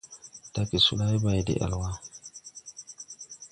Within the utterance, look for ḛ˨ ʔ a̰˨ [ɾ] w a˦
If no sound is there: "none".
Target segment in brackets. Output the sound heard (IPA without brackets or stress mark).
l